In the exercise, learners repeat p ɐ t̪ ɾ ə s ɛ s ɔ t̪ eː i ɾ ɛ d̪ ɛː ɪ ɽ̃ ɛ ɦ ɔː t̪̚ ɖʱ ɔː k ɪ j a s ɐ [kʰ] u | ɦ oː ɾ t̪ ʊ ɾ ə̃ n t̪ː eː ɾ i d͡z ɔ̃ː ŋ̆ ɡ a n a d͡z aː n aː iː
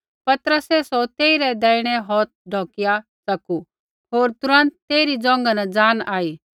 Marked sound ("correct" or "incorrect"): incorrect